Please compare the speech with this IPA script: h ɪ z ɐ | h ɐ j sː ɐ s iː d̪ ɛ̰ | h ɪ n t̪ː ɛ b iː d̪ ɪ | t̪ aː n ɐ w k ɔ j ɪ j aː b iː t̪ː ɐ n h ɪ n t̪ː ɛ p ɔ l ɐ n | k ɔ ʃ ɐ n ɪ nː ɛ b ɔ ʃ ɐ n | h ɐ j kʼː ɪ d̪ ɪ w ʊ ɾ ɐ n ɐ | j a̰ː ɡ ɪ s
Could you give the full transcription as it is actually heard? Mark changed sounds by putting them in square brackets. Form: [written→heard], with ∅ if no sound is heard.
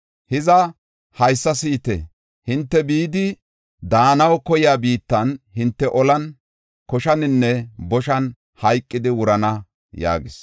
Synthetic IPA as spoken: h ɪ z ɐ | h ɐ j sː ɐ s iː [d̪→t̪] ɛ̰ | h ɪ n t̪ː ɛ b iː d̪ ɪ | [t̪→d̪] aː n ɐ w k ɔ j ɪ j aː b iː t̪ː ɐ n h ɪ n t̪ː ɛ [p→ʔ] ɔ l ɐ n | k ɔ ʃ ɐ n ɪ nː ɛ b ɔ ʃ ɐ n | h ɐ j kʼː ɪ d̪ ɪ w ʊ ɾ ɐ n ɐ | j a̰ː ɡ ɪ s

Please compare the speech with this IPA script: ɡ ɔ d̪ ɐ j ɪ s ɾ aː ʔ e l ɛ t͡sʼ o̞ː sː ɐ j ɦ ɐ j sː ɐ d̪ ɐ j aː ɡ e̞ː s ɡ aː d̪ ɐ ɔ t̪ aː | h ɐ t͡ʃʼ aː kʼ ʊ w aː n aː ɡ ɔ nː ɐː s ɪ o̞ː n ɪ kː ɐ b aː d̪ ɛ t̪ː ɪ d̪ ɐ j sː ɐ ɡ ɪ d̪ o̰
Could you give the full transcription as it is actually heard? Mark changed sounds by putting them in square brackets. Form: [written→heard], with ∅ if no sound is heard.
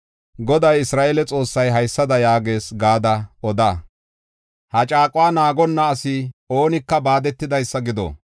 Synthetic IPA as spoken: ɡ ɔ d̪ ɐ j ɪ s ɾ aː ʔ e l ɛ t͡sʼ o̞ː sː ɐ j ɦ ɐ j sː ɐ d̪ ɐ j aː ɡ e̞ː s ɡ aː d̪ ɐ ɔ [t̪→d̪] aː | h ɐ t͡ʃʼ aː kʼ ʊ w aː n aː ɡ ɔ nː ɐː s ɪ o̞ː n ɪ kː ɐ b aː d̪ ɛ t̪ː ɪ d̪ ɐ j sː ɐ ɡ ɪ d̪ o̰

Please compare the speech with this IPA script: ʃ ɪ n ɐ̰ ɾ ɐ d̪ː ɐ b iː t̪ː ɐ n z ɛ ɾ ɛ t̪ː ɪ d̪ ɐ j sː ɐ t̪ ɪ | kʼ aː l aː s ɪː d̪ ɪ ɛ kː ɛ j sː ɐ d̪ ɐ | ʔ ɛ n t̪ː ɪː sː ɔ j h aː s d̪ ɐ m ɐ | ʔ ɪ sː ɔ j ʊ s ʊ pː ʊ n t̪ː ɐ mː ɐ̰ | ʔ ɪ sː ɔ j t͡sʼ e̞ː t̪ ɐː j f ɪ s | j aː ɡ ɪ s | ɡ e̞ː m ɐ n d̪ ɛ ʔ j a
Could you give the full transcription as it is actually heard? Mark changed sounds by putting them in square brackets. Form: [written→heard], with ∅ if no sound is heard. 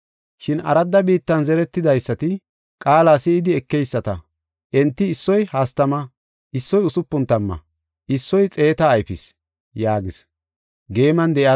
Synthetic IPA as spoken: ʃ ɪ n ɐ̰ ɾ ɐ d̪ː ɐ b iː t̪ː ɐ n z ɛ ɾ ɛ t̪ː ɪ d̪ ɐ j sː ɐ t̪ ɪ | kʼ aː l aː s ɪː d̪ ɪ ɛ kː ɛ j sː ɐ [d̪→t̪] ɐ | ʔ ɛ n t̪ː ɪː sː ɔ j h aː s [d̪→t̪] ɐ m ɐ | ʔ ɪ sː ɔ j ʊ s ʊ pː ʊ n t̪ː ɐ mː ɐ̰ | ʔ ɪ sː ɔ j t͡sʼ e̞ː t̪ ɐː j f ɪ s | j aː ɡ ɪ s | ɡ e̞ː m ɐ n d̪ ɛ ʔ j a

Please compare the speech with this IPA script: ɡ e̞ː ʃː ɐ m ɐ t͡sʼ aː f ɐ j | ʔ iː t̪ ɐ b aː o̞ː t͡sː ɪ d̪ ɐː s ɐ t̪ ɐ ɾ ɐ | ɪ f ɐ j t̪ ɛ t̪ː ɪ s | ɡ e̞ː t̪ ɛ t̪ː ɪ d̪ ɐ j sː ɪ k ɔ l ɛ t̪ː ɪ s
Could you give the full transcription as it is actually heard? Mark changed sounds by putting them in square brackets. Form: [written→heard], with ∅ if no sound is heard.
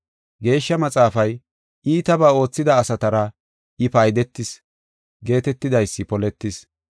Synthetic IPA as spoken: ɡ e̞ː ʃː ɐ m ɐ t͡sʼ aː f ɐ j | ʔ iː t̪ ɐ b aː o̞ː t͡sː ɪ d̪ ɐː s ɐ t̪ ɐ ɾ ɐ | ɪ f ɐ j [t̪→d̪] ɛ t̪ː ɪ s | ɡ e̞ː t̪ ɛ t̪ː ɪ d̪ ɐ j sː ɪ [k→p] ɔ l ɛ t̪ː ɪ s

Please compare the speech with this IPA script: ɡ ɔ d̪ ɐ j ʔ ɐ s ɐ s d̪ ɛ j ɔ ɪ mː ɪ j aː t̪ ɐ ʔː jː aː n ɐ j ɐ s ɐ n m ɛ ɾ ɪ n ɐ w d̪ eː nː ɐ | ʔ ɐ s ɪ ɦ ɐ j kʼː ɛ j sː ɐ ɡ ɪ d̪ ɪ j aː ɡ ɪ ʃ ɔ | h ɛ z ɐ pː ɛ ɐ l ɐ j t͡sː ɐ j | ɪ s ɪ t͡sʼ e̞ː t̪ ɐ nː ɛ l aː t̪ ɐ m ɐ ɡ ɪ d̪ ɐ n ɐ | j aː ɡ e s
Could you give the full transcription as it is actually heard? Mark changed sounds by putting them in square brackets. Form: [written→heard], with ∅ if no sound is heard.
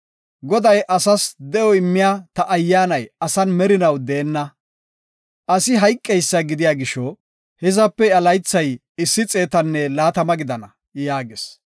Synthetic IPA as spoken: ɡ ɔ d̪ ɐ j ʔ ɐ s ɐ s d̪ ɛ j ɔ ɪ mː ɪ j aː t̪ ɐ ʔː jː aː n ɐ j ɐ s ɐ n m ɛ ɾ ɪ n ɐ w d̪ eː nː ɐ | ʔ ɐ s ɪ ɦ ɐ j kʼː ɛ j sː ɐ ɡ ɪ d̪ ɪ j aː ɡ ɪ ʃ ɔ | h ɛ z ɐ pː ɛ ɐ l ɐ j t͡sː ɐ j | ɪ [s→sː] ɪ t͡sʼ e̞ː t̪ ɐ nː ɛ l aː t̪ ɐ m ɐ ɡ ɪ d̪ ɐ n ɐ | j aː ɡ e s

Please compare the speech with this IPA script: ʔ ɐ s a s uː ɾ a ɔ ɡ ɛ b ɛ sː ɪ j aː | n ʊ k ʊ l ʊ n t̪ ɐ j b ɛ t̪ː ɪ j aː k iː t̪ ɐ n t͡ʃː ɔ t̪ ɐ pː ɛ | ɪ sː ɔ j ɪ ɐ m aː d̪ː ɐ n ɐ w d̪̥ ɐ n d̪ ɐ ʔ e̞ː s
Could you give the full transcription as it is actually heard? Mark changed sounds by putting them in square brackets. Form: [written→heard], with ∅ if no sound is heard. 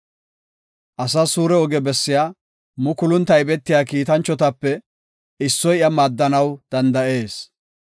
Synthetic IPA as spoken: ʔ ɐ s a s uː ɾ [a→ɛ] ɔ ɡ ɛ b ɛ sː ɪ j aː | [n→m] ʊ k ʊ l ʊ n t̪ ɐ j b ɛ t̪ː ɪ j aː k iː t̪ ɐ n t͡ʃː ɔ t̪ ɐ pː ɛ | ɪ sː ɔ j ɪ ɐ m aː d̪ː ɐ n ɐ w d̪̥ ɐ n d̪ ɐ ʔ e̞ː s

